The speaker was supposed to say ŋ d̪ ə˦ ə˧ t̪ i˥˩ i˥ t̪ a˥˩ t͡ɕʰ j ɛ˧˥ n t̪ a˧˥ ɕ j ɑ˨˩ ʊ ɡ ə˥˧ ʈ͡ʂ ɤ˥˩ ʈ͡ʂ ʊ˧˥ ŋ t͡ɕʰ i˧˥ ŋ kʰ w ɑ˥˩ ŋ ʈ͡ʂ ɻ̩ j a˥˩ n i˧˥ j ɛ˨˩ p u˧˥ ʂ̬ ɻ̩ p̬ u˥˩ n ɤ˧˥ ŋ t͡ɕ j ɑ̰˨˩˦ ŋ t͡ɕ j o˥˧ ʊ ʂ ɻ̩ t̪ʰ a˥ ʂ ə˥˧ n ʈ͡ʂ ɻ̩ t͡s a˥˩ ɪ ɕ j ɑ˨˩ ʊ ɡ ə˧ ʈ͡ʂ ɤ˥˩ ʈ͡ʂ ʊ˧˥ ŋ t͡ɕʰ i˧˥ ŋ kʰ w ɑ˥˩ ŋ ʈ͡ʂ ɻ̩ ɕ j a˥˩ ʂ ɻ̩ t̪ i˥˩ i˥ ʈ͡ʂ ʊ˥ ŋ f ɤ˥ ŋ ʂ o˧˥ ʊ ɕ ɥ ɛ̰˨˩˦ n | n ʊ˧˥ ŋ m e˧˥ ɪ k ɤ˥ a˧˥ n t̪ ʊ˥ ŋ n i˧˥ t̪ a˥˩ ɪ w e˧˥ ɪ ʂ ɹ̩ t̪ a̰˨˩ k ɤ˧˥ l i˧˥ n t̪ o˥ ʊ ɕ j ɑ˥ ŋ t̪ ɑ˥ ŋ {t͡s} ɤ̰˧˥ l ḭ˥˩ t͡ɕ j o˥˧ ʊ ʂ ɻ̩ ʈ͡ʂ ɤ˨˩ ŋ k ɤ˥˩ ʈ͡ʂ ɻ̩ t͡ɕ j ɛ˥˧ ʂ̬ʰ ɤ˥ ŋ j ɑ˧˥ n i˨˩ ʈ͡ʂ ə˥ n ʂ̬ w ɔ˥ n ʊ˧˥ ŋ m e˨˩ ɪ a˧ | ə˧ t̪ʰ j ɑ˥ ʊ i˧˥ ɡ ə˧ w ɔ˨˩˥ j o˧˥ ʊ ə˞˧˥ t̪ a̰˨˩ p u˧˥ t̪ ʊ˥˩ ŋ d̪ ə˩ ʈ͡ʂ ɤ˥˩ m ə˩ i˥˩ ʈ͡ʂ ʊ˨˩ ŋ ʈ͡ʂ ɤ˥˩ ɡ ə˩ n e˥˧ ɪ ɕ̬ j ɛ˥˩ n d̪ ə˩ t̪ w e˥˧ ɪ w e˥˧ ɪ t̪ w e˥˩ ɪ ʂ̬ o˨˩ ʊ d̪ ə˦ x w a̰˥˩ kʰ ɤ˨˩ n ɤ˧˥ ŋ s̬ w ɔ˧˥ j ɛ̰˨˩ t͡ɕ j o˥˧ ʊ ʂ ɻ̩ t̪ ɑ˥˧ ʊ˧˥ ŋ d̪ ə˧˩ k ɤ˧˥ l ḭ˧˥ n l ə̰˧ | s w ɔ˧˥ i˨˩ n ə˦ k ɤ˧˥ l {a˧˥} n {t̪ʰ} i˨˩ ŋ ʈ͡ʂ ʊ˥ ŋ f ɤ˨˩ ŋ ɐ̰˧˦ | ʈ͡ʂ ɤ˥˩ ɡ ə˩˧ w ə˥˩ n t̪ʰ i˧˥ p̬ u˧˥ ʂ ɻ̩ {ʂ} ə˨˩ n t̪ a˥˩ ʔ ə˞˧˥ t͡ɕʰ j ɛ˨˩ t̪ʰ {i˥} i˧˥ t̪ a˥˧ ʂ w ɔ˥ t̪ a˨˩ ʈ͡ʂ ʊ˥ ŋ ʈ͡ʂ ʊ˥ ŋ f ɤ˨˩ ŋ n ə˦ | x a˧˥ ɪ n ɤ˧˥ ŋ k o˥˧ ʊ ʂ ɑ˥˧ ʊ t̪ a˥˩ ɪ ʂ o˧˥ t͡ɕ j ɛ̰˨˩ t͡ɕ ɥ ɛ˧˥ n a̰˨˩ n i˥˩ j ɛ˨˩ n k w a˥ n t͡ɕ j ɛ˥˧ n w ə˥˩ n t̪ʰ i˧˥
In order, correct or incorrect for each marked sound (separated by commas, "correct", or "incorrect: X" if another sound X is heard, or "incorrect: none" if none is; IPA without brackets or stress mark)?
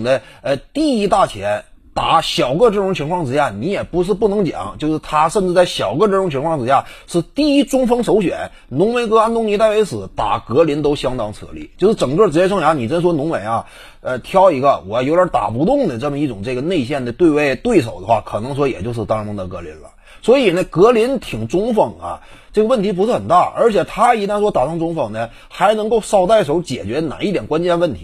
incorrect: t͡sʰ, incorrect: i˧˥, correct, incorrect: x, incorrect: a˥